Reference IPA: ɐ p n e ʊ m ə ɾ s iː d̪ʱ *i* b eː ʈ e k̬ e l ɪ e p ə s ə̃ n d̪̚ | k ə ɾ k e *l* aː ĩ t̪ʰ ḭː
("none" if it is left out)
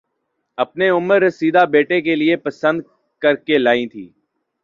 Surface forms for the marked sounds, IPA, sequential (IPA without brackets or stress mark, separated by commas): a, l